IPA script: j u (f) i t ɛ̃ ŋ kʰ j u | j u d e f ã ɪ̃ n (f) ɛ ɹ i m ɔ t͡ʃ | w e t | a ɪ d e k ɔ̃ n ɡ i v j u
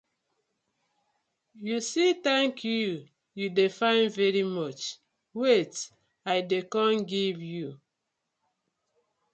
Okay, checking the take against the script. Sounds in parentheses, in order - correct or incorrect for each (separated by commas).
incorrect, incorrect